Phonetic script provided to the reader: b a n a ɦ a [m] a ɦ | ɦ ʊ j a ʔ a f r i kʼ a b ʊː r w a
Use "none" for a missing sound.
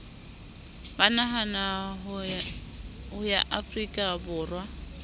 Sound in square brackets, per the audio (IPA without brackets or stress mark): n